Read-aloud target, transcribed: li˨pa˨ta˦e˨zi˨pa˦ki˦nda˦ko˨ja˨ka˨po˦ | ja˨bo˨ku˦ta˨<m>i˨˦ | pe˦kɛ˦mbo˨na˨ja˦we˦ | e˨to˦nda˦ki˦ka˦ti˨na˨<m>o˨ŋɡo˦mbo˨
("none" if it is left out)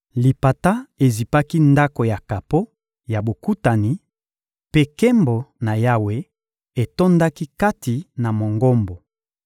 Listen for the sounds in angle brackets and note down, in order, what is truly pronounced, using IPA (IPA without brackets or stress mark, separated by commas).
n, m